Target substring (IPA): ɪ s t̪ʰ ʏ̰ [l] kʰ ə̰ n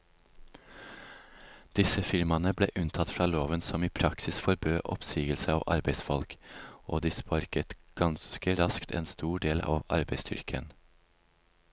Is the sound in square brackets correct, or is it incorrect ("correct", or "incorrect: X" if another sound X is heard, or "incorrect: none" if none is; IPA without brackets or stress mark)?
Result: incorrect: ɾ